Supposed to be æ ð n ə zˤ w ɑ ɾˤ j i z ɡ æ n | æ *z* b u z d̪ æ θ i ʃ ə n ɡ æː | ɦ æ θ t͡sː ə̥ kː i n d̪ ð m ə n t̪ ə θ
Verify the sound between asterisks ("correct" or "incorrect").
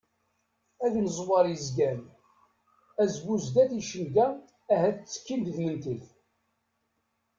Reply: correct